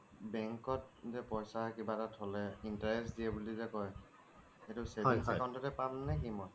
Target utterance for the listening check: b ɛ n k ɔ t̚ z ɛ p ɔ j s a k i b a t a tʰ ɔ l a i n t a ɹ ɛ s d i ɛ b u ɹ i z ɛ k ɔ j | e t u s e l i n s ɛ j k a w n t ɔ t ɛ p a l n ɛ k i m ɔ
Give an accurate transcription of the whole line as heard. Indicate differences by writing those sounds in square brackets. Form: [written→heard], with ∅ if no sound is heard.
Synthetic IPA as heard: b ɛ [n→ŋ] k ɔ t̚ z ɛ p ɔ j s a k i b a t a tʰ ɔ l [a→ɛ] i n t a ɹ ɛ s d i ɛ b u [ɹ→l] i z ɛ k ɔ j | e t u s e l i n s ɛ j k a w n t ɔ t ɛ p a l n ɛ k i m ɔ